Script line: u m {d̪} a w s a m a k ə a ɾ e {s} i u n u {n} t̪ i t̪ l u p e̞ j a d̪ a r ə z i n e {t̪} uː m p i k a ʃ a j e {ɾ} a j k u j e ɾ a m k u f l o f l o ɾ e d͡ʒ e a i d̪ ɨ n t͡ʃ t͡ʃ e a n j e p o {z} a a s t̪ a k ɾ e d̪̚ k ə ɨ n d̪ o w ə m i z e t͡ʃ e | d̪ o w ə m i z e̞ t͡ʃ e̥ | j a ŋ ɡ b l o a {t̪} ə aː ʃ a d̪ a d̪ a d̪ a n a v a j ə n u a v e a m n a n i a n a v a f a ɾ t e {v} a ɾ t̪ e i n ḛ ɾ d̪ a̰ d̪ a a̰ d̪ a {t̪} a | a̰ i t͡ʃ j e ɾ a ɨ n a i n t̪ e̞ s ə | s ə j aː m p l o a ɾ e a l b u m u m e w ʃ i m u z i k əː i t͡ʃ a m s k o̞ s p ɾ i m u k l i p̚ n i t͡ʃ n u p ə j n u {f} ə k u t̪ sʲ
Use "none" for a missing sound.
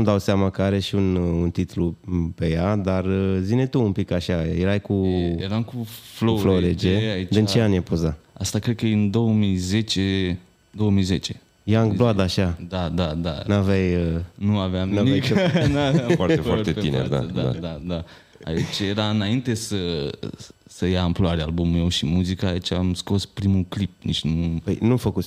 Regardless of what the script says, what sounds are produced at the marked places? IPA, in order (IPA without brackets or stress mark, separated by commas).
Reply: d̪, ʃ, n, t̪, ɾ, z, d̪, f, d̪, f